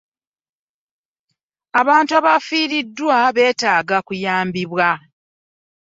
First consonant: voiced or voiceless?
voiced